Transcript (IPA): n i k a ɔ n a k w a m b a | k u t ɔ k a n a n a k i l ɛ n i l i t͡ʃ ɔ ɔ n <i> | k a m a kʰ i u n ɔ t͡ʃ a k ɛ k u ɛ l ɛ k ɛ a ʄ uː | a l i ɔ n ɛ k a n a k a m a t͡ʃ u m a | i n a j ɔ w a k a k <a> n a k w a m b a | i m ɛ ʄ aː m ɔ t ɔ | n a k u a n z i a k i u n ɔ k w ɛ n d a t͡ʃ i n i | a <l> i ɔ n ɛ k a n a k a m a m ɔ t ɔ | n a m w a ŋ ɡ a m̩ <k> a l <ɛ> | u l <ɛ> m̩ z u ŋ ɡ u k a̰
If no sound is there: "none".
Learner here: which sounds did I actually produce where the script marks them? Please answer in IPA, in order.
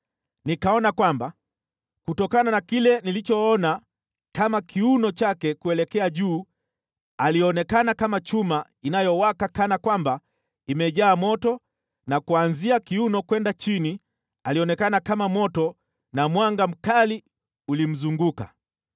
a, a, l, k, i, i

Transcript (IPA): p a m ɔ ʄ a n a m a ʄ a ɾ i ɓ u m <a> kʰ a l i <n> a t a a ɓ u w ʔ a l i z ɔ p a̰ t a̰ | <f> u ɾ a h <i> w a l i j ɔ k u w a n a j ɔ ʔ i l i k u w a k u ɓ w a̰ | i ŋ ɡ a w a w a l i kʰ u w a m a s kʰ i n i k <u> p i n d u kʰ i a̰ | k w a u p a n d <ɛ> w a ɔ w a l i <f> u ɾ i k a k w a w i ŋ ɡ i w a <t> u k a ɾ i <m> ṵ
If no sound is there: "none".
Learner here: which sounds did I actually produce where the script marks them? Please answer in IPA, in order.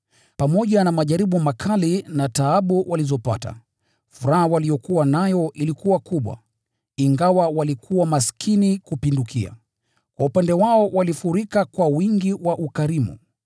a, n, f, a, u, ɛ, f, ʔ, m

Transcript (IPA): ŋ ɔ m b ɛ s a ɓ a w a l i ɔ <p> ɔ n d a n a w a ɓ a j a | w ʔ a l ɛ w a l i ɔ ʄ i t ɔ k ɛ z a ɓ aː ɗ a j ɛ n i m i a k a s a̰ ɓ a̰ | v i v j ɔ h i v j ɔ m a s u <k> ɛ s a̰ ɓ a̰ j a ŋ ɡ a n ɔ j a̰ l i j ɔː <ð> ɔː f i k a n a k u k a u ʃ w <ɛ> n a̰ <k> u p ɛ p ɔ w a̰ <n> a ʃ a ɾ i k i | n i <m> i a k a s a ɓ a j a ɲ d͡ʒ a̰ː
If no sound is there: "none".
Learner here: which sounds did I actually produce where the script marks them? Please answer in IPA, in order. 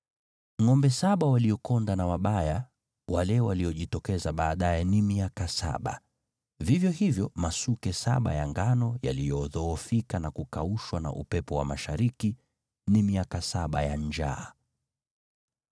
k, k, ð, a, ʔ, m, m

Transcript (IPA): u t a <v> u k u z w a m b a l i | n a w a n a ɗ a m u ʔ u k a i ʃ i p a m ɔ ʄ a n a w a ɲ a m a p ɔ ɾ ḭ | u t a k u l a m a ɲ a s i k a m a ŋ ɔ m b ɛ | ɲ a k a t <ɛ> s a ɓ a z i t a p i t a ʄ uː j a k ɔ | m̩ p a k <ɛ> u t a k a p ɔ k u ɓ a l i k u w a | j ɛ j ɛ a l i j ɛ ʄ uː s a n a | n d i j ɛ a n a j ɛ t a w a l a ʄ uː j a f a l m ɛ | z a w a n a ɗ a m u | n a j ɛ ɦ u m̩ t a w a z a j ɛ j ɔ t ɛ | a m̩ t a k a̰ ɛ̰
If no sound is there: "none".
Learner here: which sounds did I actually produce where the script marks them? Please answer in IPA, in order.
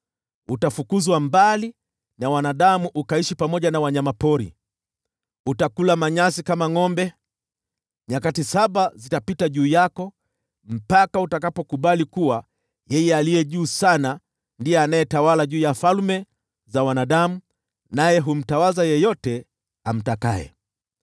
f, i, a

